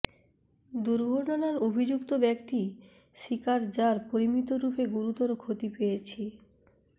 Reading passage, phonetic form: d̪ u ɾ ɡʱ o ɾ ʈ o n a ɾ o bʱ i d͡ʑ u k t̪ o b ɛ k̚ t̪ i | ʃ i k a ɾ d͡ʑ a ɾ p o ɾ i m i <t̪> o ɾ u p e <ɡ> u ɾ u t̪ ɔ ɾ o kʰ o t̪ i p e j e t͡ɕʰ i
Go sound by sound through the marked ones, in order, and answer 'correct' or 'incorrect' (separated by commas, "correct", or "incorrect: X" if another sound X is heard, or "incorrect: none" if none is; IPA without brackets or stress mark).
correct, correct